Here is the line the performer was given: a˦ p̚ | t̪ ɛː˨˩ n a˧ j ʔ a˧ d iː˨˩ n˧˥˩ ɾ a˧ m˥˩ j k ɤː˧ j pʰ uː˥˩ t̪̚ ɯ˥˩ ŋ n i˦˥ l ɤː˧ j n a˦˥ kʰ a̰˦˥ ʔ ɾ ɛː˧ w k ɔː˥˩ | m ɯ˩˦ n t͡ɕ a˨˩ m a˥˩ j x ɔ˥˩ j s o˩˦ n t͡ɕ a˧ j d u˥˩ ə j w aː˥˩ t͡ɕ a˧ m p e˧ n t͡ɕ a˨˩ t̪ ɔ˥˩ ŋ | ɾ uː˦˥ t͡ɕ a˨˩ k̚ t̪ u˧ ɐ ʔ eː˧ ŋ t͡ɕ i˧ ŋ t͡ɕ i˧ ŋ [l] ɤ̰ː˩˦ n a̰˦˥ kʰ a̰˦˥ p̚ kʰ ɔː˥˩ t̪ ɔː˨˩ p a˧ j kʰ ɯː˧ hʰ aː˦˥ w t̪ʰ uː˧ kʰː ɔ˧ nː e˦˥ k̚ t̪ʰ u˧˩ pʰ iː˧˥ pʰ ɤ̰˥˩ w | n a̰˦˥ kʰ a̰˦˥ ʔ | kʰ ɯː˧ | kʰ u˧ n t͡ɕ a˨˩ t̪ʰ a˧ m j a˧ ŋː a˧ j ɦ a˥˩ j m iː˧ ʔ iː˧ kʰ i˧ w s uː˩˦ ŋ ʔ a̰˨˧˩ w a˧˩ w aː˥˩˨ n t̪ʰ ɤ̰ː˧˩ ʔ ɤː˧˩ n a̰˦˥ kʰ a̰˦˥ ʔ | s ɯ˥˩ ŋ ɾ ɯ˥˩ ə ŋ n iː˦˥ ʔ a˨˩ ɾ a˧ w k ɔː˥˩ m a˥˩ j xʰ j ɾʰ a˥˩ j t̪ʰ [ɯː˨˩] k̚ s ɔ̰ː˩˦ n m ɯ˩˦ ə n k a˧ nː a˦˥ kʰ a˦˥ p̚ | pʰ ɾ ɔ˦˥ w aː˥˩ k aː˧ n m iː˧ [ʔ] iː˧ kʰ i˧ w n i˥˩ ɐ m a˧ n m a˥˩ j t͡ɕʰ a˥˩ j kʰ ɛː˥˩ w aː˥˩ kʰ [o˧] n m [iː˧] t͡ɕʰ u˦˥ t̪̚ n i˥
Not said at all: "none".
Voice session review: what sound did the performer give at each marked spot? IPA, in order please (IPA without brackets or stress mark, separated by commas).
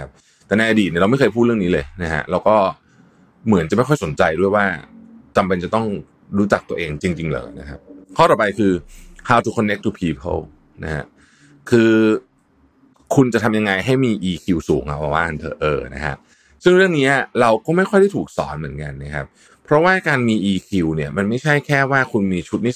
l, uː˨˩, ʔ, u˧, iː˧